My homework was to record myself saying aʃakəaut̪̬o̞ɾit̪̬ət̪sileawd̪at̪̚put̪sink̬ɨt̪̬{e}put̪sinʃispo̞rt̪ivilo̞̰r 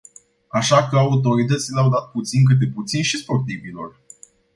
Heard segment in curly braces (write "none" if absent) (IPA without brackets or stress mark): e